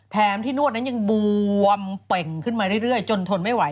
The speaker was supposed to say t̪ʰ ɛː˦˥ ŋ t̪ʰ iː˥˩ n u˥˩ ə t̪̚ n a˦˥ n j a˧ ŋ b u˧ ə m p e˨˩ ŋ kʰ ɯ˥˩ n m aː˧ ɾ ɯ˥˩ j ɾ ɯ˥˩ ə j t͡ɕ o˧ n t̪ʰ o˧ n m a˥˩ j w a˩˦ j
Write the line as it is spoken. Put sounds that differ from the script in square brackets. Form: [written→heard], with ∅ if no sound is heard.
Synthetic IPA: t̪ʰ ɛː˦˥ [ŋ→m] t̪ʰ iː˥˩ n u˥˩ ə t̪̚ n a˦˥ n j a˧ ŋ b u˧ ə m p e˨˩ ŋ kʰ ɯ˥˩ n m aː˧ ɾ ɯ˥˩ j ɾ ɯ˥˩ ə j t͡ɕ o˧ n t̪ʰ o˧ n m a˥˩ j w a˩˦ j